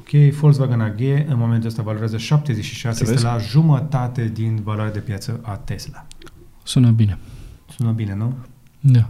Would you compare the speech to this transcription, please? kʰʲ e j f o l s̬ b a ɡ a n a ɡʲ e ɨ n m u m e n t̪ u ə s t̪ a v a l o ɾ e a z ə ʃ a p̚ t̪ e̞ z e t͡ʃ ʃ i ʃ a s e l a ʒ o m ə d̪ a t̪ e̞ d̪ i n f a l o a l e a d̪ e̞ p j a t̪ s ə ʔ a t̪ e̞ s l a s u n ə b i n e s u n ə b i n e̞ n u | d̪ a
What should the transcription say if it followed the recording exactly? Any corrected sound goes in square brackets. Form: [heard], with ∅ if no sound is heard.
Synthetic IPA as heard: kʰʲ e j f o l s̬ [v] a ɡ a n a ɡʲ e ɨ n m [o] m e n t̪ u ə s t̪ a v a l o ɾ e a z ə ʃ a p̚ t̪ e̞ z e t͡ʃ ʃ i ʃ a s e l a ʒ [u] m ə [t̪] a t̪ e̞ d̪ i n [v] a l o a [ɾ] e a d̪ e̞ p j a t̪ s ə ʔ a t̪ e̞ s l a s u n ə b i n e s u n ə b i n e̞ n u | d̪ a